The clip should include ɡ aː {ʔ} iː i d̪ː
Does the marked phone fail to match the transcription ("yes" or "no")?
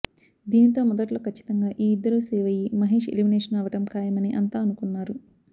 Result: no